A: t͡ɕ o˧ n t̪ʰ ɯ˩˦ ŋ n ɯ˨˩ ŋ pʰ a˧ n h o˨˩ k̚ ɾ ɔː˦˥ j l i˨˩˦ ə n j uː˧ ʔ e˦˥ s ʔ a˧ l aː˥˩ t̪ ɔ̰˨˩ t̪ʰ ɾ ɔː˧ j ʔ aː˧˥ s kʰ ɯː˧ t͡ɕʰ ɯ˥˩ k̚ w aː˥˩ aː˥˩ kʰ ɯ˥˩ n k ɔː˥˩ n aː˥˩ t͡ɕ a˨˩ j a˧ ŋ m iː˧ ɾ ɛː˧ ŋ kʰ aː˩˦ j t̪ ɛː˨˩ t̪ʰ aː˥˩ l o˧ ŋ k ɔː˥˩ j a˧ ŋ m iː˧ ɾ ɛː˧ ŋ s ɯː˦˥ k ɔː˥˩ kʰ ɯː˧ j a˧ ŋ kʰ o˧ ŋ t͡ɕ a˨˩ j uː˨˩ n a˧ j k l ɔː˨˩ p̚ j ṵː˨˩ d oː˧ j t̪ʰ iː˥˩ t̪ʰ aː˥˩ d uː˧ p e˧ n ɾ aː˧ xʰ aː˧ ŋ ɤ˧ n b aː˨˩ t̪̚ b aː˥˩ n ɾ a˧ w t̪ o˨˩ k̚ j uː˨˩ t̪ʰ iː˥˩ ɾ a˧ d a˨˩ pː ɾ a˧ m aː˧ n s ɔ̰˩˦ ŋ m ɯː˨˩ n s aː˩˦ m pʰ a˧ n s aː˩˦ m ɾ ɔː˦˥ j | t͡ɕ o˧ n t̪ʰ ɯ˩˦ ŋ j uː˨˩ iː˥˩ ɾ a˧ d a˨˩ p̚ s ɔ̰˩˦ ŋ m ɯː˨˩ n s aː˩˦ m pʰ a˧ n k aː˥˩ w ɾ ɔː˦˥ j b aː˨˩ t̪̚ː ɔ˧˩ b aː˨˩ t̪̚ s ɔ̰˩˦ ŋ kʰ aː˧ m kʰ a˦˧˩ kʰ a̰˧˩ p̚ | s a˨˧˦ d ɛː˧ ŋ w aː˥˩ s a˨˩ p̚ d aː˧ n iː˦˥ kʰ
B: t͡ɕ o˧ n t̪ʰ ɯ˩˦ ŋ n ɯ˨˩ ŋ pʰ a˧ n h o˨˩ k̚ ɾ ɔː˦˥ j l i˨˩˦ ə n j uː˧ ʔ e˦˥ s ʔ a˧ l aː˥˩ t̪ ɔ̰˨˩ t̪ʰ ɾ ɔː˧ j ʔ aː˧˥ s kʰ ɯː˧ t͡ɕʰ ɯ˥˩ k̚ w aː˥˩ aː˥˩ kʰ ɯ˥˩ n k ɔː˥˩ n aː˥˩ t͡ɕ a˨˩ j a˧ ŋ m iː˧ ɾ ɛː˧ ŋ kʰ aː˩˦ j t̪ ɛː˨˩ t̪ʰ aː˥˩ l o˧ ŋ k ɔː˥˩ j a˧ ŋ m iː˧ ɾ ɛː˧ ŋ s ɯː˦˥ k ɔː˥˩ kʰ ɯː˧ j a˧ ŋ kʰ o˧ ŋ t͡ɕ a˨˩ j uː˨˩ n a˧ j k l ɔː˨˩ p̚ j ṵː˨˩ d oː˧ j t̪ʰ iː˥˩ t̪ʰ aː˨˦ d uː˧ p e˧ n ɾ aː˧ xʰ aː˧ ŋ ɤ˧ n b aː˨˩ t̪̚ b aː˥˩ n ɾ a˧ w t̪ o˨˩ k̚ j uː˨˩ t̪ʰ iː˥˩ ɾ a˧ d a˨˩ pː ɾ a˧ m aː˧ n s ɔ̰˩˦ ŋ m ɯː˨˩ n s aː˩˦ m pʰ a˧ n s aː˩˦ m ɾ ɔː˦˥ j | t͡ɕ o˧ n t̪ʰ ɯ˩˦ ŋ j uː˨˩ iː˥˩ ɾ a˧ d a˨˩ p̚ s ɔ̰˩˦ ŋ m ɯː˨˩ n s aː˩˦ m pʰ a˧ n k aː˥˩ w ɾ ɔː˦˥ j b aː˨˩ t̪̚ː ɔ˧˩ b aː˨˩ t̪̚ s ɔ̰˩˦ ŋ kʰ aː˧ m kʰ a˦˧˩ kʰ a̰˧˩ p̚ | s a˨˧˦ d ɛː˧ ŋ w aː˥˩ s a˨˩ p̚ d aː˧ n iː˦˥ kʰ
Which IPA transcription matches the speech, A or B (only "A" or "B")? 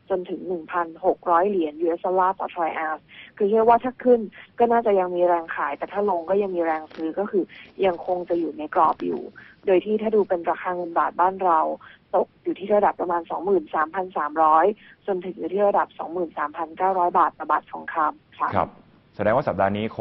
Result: A